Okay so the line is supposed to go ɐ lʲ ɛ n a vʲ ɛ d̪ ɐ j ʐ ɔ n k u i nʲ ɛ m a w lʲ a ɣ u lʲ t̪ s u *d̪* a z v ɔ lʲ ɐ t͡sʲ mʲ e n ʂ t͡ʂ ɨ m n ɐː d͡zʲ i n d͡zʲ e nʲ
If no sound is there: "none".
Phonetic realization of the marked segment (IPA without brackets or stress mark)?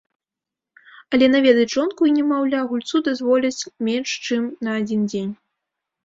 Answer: d̪